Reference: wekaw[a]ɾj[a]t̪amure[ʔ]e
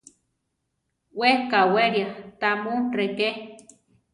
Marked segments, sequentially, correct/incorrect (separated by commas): incorrect, correct, incorrect